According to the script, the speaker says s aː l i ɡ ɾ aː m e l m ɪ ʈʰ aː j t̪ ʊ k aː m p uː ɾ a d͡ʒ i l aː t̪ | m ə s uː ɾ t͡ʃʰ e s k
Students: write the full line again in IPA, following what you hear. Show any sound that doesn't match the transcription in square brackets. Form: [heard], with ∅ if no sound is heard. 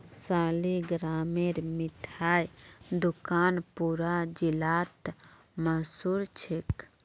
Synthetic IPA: s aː l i ɡ ɾ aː m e [ɾ] m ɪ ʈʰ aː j [d̪] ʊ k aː [n] p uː ɾ a d͡ʒ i l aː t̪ | m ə s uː ɾ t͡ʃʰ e [∅] k